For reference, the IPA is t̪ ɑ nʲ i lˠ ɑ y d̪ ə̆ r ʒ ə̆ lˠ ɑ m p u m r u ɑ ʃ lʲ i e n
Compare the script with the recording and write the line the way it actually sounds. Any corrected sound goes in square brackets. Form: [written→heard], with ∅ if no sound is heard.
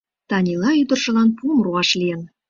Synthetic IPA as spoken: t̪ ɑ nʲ i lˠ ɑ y d̪ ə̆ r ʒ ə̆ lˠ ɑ [m→n] p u m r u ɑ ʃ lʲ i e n